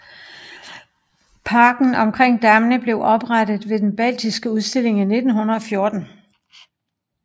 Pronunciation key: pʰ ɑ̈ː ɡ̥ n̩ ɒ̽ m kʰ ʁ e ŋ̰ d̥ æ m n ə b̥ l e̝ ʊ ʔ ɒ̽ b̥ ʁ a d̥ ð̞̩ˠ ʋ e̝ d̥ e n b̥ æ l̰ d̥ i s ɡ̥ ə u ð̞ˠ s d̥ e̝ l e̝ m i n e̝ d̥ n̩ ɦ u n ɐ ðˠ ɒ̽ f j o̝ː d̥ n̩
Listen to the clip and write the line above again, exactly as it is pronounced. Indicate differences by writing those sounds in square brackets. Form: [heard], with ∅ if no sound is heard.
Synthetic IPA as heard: pʰ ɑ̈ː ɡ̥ n̩ ɒ̽ m kʰ ʁ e ŋ̰ d̥ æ m n ə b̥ l e̝ ʊ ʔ ɒ̽ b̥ ʁ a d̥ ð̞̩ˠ ʋ e̝ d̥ e n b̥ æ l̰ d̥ i s ɡ̥ ə u ð̞ˠ s d̥ e̝ l e̝ [ŋ] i n e̝ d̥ n̩ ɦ u n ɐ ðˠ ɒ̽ f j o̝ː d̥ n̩